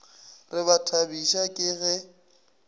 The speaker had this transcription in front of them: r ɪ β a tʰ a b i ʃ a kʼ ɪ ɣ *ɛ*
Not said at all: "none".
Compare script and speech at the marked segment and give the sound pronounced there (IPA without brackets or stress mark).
ɛ